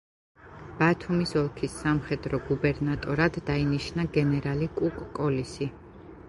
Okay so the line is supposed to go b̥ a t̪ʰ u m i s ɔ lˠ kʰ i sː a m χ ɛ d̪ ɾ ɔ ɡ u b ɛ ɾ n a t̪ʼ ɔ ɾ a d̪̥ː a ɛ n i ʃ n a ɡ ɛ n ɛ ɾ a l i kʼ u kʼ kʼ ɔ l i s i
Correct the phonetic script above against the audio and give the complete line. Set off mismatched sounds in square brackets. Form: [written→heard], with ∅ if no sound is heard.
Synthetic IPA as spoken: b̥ a t̪ʰ u m i s ɔ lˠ kʰ i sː a m χ ɛ d̪ ɾ ɔ ɡ u b ɛ ɾ n a t̪ʼ ɔ ɾ a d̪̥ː a [ɛ→i] n i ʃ n a ɡ ɛ n ɛ ɾ a l i kʼ u kʼ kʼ ɔ l i s i

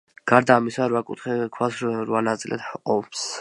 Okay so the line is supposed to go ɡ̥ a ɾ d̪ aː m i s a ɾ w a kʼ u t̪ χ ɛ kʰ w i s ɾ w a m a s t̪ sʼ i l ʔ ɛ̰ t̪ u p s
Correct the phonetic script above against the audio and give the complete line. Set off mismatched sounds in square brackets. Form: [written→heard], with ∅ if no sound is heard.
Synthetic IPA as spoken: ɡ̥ a ɾ d̪ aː m i s a ɾ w a kʼ u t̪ χ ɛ kʰ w [i→a] s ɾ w a [m→n] a [s→∅] t̪ sʼ i l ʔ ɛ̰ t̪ [u→ɔ] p s

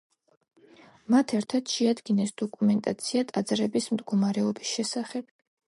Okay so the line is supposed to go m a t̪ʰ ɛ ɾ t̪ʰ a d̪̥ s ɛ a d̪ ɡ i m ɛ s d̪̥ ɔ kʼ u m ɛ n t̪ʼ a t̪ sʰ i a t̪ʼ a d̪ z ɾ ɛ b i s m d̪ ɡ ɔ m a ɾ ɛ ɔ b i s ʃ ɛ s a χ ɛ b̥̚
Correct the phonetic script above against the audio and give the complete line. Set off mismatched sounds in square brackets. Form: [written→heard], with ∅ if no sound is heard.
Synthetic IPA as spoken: m a t̪ʰ ɛ ɾ t̪ʰ a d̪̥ [s→ʃ] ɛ a d̪ ɡ i [m→n] ɛ s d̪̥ ɔ kʼ u m ɛ n t̪ʼ a t̪ sʰ i a t̪ʼ a d̪ z ɾ ɛ b i s m d̪ ɡ ɔ m a ɾ ɛ ɔ b i s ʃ ɛ s a χ ɛ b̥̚

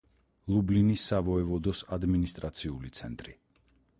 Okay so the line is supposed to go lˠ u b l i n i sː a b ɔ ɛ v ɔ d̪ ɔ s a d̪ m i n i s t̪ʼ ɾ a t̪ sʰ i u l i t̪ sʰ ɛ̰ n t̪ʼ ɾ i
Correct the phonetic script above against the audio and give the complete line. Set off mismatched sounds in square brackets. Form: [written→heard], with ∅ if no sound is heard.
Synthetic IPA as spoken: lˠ u b l i n i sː a [b→v] ɔ ɛ v ɔ d̪ ɔ s a d̪ m i n i s t̪ʼ ɾ a t̪ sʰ i u l i t̪ sʰ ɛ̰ n t̪ʼ ɾ i

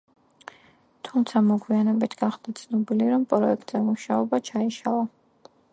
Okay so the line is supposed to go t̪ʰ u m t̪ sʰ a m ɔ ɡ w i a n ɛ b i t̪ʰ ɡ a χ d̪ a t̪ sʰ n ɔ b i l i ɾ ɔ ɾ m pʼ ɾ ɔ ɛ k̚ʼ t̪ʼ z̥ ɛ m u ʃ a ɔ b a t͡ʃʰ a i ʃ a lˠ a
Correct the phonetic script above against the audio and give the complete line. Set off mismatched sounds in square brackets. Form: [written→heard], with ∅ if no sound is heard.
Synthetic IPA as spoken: t̪ʰ u m t̪ sʰ a m ɔ ɡ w i a n ɛ b i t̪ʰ ɡ a χ d̪ a t̪ sʰ n ɔ b i l i ɾ ɔ [ɾ→∅] m pʼ ɾ ɔ ɛ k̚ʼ t̪ʼ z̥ ɛ m u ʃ a ɔ b a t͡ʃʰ a i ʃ a lˠ a

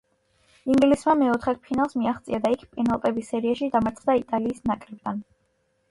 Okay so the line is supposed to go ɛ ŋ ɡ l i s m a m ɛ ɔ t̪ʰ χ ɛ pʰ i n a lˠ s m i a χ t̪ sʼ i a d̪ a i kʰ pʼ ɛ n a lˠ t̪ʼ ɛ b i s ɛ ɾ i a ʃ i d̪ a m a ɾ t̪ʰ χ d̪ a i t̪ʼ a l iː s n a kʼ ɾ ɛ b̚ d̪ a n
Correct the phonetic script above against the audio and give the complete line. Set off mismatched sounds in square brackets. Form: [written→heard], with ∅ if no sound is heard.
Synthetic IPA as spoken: [ɛ→i] ŋ ɡ l i s m a m ɛ ɔ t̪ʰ χ ɛ pʰ i n a lˠ s m i a χ t̪ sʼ i a d̪ a i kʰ pʼ ɛ n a lˠ t̪ʼ ɛ b i s ɛ ɾ i a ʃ i d̪ a m a ɾ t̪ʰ χ d̪ a i t̪ʼ a l iː s n a kʼ ɾ ɛ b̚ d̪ a n

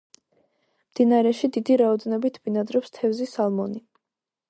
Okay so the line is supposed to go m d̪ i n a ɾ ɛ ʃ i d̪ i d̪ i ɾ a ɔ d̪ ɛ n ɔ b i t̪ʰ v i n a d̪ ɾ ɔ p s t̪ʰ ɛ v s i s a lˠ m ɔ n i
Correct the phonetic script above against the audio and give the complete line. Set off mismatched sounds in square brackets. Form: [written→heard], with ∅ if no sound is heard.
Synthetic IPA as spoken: m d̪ i n a ɾ ɛ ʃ i d̪ i d̪ i ɾ a ɔ d̪ ɛ n ɔ b i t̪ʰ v i n a d̪ ɾ ɔ p s t̪ʰ ɛ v [s→z] i s a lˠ m ɔ n i

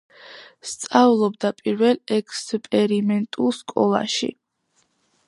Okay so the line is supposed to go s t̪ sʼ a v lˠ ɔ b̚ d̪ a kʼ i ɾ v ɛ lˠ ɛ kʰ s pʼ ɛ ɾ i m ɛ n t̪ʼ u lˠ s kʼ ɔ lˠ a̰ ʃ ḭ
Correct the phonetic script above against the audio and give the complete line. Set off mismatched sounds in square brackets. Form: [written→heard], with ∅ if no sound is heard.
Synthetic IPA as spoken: s t̪ sʼ a v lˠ ɔ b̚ d̪ a [kʼ→pʼ] i ɾ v ɛ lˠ ɛ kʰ s pʼ ɛ ɾ i m ɛ n t̪ʼ u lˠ s kʼ ɔ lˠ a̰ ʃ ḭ

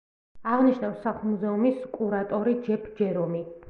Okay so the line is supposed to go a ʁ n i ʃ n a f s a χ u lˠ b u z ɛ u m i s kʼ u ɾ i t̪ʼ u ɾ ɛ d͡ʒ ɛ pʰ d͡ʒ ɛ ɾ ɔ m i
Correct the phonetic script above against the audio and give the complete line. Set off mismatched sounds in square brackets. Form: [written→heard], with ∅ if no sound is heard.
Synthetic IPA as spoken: a ʁ n i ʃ n a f s a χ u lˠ [b→m] u z ɛ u m i s kʼ u ɾ [i→a] t̪ʼ [u→ɔ] ɾ [ɛ→i] d͡ʒ ɛ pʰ d͡ʒ ɛ ɾ ɔ m i

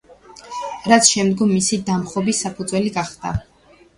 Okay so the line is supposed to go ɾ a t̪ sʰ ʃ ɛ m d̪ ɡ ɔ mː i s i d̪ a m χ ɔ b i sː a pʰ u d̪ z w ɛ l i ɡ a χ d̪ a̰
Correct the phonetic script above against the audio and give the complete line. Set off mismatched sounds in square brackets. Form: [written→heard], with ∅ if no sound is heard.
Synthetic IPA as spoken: ɾ a t̪ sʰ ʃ ɛ m d̪ ɡ ɔ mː i s i d̪ a m χ ɔ b i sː a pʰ u d̪ z w ɛ l i ɡ a χ d̪ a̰

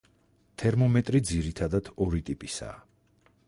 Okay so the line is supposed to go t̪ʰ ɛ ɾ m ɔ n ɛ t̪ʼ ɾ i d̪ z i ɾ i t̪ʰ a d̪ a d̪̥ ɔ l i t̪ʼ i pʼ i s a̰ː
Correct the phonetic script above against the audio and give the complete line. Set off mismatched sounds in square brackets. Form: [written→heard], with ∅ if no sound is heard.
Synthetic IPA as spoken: t̪ʰ ɛ ɾ m ɔ [n→m] ɛ t̪ʼ ɾ i d̪ z i ɾ i t̪ʰ a d̪ a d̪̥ ɔ [l→ɾ] i t̪ʼ i pʼ i s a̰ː

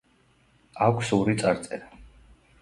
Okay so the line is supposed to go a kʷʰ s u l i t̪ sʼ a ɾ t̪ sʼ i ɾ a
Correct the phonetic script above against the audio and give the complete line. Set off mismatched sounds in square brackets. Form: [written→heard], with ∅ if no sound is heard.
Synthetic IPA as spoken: a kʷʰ s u [l→ɾ] i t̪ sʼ a ɾ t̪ sʼ [i→ɛ] ɾ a

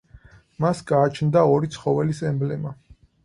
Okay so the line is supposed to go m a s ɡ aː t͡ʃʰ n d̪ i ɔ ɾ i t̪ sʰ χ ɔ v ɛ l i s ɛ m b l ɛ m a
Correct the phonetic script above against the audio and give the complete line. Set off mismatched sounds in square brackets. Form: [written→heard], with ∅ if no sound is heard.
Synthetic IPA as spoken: m a s ɡ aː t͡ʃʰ n d̪ [i→a] ɔ ɾ i t̪ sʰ χ ɔ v ɛ l i s ɛ m b l ɛ m a

